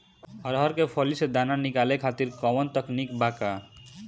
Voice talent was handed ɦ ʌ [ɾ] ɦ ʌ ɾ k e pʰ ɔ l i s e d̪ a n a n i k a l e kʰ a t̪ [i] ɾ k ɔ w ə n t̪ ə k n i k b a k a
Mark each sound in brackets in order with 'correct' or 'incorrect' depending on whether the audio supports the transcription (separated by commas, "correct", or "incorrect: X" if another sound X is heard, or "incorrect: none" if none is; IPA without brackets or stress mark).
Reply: correct, correct